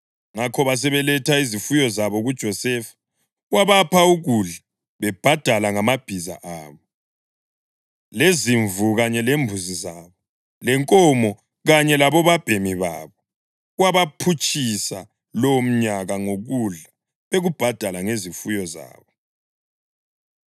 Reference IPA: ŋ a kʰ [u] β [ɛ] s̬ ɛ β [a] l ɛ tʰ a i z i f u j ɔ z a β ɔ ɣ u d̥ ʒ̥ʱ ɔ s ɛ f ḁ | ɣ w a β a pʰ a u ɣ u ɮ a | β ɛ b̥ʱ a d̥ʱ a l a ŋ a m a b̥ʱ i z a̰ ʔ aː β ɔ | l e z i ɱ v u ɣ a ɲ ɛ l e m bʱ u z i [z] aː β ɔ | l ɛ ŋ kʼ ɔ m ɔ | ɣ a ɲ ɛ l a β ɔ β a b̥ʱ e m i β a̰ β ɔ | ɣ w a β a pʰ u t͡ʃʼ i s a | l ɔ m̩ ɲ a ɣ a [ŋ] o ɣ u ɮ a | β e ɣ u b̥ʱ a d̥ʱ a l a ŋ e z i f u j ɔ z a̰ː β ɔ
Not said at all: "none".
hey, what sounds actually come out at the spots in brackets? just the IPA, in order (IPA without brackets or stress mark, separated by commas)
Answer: ɔ, a, ɛ, z, ŋ